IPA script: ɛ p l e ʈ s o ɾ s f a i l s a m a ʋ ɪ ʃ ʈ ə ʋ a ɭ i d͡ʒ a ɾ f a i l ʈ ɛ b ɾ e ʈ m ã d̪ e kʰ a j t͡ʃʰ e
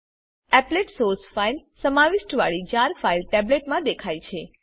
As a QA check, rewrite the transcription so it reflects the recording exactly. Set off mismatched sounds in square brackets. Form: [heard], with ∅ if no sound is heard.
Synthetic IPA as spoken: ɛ p l e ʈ s o ɾ s f a i l s [ə] m a ʋ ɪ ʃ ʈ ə ʋ a ɭ i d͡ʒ a ɾ f a i l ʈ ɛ b [l] e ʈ m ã d̪ e kʰ a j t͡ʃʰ e